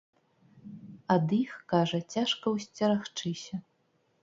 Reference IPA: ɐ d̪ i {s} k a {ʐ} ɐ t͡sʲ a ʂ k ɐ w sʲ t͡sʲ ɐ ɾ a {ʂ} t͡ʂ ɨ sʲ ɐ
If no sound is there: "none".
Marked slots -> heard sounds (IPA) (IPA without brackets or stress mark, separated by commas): x, ʐ, x